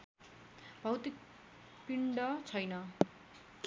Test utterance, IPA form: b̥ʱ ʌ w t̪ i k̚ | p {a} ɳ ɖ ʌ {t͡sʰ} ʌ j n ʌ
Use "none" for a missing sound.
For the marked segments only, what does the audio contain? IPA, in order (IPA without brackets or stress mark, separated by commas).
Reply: i, t͡sʰ